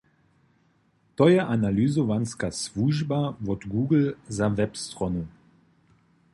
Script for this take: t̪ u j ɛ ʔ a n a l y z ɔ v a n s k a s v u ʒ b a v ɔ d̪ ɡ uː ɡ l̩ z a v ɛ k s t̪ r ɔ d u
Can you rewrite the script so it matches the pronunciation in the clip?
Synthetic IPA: t̪ ɔ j ɛ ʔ a n a l y z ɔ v a n s k a s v u ʒ b a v ɔ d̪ ɡ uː ɡ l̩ z a v ɛ p s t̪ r ɔ n u